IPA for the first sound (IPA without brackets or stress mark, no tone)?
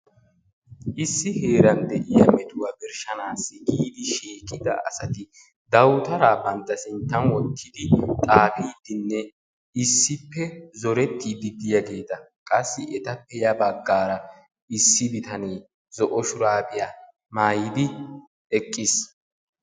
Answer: ʔ